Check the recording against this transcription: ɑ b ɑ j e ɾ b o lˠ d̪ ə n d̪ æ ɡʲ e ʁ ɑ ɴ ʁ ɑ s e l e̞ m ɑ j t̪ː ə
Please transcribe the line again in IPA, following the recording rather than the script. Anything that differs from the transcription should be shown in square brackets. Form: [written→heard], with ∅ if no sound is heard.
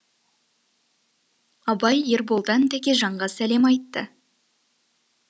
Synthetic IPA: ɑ b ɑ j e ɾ b o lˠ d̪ [ə→ɑ] n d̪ æ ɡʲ e [ʁ→ʒ] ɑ ɴ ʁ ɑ s [e→æ] l e̞ m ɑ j t̪ː ə